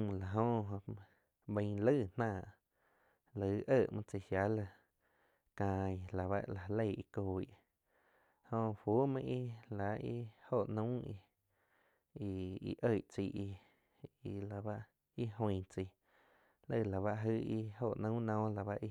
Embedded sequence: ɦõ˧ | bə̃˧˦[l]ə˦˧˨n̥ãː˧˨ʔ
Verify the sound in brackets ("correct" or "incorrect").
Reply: correct